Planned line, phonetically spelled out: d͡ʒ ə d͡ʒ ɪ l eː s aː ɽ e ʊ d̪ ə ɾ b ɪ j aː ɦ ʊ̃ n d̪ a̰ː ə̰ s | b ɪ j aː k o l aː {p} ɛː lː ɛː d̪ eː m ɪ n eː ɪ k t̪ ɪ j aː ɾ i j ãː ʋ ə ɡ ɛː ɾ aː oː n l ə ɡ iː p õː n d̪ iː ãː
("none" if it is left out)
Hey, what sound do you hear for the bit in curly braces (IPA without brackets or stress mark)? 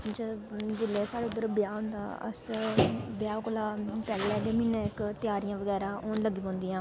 p